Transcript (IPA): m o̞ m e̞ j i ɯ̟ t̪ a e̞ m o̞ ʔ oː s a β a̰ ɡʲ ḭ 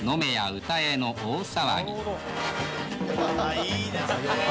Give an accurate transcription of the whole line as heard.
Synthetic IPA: n o̞ m e̞ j a ɯ̟ t̪ a e̞ n o̞ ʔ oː s a β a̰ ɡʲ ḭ